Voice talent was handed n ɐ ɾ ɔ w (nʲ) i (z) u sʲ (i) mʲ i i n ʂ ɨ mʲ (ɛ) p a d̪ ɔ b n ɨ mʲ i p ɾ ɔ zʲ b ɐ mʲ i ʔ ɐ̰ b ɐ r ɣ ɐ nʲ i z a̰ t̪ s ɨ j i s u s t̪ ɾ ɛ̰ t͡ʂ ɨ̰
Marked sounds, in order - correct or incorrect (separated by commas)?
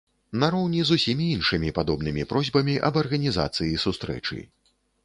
correct, correct, correct, incorrect